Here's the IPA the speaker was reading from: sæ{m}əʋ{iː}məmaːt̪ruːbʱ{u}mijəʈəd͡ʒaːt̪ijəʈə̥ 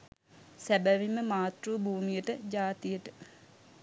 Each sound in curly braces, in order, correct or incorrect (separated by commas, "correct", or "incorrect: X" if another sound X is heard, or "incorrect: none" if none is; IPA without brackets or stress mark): incorrect: b, incorrect: i, incorrect: uː